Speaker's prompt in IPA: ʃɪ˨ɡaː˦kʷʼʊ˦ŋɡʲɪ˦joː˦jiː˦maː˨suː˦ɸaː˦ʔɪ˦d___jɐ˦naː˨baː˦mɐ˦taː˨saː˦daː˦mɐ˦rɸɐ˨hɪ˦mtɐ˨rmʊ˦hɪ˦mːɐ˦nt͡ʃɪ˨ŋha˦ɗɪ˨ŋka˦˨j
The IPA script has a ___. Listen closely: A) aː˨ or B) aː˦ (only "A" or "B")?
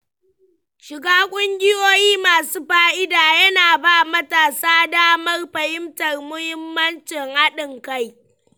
A